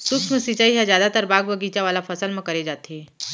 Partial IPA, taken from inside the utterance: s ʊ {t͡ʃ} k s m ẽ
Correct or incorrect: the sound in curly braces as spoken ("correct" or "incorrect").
incorrect